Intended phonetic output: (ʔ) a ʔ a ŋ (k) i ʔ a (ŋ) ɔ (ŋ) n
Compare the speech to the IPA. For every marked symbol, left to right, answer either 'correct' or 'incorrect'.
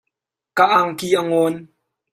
incorrect: k, correct, correct, incorrect: none

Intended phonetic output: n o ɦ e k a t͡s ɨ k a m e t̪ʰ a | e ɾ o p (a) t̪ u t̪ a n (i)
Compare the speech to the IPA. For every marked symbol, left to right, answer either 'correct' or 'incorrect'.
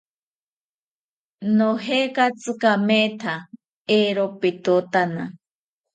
incorrect: i, incorrect: a

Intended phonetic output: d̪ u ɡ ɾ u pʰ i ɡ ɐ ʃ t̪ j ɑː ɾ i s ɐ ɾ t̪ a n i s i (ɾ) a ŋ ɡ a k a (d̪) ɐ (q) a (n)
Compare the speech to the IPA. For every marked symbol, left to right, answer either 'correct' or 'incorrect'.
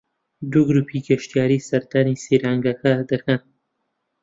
correct, correct, incorrect: k, correct

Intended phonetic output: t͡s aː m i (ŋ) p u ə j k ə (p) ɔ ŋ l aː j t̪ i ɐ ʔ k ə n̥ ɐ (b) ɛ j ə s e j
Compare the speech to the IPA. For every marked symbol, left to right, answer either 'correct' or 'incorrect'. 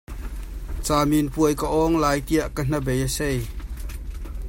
incorrect: n, incorrect: ʔ, correct

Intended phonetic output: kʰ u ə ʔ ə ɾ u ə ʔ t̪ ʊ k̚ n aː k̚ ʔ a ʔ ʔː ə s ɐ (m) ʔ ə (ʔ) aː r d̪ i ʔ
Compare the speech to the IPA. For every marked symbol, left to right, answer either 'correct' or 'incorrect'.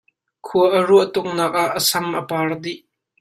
correct, incorrect: p

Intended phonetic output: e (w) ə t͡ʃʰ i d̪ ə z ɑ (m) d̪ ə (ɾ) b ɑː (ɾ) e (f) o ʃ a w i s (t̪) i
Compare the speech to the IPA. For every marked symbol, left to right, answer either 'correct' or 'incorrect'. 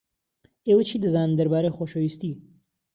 correct, incorrect: n, correct, correct, incorrect: x, correct

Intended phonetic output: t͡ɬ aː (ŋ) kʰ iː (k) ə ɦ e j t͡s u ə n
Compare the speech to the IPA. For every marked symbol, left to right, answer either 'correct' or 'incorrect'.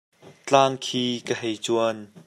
correct, correct

